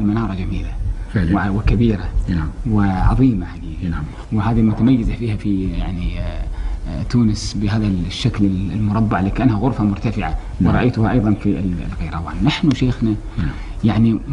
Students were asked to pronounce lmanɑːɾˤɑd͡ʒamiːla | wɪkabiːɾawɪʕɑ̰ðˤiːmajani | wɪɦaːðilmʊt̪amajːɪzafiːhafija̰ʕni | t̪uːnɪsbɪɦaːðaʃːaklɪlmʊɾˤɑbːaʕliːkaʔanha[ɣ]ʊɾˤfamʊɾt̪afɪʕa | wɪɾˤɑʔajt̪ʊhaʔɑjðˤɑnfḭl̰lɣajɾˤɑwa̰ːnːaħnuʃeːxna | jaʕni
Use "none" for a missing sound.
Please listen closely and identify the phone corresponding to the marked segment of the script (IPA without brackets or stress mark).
ɣ